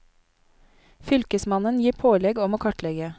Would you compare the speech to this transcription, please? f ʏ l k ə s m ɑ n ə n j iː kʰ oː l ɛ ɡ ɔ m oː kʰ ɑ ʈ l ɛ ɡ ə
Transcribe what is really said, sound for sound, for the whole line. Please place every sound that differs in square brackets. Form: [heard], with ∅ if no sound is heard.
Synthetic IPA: f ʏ l k ə s m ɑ n ə n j iː [pʰ] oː l ɛ ɡ ɔ m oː kʰ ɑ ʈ l ɛ ɡ ə